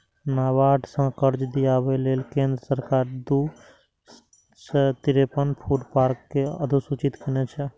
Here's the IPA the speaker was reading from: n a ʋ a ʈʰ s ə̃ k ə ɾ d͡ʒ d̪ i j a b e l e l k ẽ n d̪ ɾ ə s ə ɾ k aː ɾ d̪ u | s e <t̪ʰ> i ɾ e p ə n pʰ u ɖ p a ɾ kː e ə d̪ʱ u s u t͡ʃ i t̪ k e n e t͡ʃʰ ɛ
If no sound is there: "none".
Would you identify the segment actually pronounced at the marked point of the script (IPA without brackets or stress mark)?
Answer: t̪